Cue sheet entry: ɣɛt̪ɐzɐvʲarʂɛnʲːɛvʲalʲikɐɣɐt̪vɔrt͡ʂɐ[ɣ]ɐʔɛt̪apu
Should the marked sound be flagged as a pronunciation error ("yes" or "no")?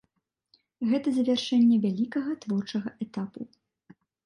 no